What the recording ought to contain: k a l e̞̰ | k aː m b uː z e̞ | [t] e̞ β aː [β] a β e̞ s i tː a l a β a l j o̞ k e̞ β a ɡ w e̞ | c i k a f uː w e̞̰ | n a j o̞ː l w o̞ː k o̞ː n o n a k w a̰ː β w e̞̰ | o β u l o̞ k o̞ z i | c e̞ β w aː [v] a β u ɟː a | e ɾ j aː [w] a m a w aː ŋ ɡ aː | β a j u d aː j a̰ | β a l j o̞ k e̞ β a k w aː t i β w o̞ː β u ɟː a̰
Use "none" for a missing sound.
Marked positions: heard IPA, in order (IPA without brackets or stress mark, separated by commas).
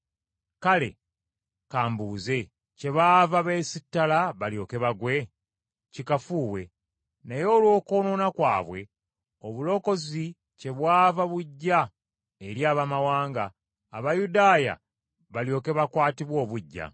c, v, v, β